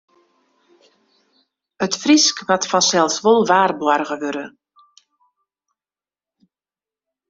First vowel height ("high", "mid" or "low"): mid